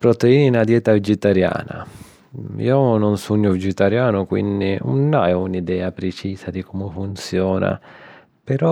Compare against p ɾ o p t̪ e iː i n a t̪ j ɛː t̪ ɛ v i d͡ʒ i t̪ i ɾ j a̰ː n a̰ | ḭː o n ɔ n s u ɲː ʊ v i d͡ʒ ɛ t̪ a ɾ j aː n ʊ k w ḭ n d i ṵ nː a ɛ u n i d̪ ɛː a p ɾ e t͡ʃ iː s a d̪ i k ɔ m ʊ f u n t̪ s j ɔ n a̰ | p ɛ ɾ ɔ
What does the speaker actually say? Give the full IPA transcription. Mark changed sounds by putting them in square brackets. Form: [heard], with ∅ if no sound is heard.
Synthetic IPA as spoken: p ɾ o [∅] t̪ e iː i n a [d̪] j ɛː t̪ [a] v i d͡ʒ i t̪ [a] ɾ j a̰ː n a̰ | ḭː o n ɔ n s u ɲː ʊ v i d͡ʒ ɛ t̪ a ɾ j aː n ʊ k w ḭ n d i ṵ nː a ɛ u n i d̪ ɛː a p ɾ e t͡ʃ iː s a d̪ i k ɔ m ʊ f u n t̪ s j [ɔː] n a̰ | p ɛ ɾ ɔ